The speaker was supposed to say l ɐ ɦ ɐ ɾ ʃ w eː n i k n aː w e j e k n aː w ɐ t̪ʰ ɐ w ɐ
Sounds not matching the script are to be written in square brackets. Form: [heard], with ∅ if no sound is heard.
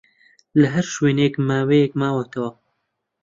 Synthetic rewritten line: l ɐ ɦ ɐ ɾ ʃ w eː n [e] k [m] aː w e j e k [m] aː w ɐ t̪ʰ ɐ w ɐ